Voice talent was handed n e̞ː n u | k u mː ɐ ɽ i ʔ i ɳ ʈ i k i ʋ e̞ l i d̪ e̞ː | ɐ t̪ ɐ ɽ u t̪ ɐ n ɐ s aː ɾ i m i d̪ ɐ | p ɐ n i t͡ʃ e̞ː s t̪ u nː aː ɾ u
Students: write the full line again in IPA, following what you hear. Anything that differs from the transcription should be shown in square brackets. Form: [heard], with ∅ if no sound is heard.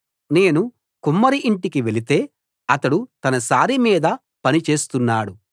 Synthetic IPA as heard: n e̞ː n u | k u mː ɐ [ɾ] i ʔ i ɳ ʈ i k i ʋ e̞ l i [t̪] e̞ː | ɐ t̪ ɐ ɽ u t̪ ɐ n ɐ s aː ɾ i m [iː] d̪ ɐ | p ɐ n i t͡ʃ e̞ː s t̪ u nː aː [ɽ] u